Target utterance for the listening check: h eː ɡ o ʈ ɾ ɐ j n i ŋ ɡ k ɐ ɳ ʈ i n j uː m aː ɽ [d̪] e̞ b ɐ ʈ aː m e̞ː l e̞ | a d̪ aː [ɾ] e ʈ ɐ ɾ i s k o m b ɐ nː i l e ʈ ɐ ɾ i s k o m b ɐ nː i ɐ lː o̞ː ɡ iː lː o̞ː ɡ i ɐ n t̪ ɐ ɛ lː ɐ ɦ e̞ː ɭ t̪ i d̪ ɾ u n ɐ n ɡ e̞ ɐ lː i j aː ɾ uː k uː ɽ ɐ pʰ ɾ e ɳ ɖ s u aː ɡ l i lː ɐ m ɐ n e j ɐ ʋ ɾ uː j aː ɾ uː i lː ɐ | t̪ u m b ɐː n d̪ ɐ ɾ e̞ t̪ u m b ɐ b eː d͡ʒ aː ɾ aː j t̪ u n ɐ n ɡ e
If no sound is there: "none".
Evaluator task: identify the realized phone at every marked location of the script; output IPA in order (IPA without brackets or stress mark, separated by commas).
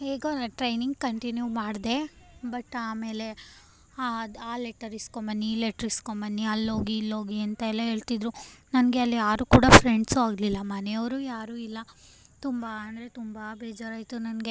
d̪, l